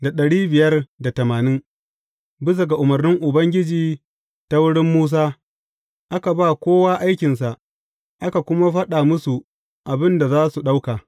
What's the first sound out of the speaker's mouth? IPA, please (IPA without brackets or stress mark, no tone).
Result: d